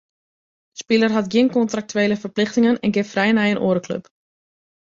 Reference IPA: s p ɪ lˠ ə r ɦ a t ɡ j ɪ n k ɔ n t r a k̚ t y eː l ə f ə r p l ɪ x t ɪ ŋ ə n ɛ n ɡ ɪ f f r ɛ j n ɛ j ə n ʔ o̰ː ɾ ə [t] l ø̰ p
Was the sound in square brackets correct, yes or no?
no